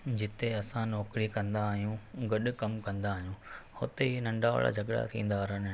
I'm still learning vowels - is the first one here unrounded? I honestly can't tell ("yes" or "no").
yes